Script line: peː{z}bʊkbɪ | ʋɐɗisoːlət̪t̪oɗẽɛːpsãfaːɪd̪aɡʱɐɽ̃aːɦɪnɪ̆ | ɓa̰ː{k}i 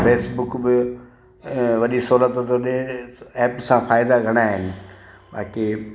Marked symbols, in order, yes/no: no, yes

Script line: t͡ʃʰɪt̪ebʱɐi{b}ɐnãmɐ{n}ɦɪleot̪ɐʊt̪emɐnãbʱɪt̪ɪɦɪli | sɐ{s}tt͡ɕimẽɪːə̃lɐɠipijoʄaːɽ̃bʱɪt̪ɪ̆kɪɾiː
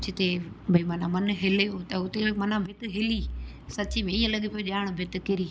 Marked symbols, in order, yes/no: no, yes, no

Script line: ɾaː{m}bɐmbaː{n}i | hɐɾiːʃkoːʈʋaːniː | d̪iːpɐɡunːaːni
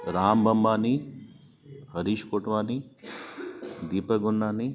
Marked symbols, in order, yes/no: yes, yes

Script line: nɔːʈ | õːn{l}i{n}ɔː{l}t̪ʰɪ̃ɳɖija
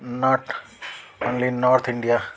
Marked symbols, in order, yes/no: yes, yes, no

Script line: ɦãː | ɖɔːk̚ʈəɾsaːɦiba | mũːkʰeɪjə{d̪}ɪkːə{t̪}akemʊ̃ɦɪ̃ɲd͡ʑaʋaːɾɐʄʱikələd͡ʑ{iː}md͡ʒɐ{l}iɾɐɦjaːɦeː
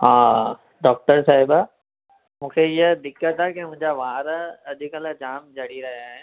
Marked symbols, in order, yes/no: yes, yes, no, no

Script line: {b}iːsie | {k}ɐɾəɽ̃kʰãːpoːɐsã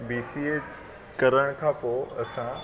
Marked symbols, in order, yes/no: yes, yes

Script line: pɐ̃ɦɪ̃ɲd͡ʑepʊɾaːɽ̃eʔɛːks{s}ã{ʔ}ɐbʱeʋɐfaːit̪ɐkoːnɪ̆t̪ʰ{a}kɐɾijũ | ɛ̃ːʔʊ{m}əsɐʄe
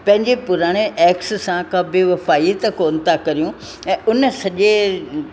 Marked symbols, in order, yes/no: yes, no, yes, no

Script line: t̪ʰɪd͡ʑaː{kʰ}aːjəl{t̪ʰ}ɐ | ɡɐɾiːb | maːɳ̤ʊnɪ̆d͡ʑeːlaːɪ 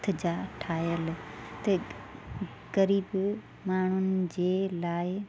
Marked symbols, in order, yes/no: no, no

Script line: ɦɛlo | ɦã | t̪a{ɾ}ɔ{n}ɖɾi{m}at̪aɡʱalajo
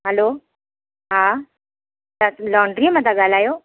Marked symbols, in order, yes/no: no, no, yes

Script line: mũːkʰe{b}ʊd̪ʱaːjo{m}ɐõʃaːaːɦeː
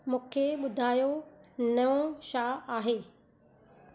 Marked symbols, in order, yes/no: no, no

